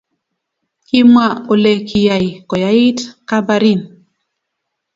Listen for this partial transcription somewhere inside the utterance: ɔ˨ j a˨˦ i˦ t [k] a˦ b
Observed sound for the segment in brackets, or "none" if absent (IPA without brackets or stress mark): k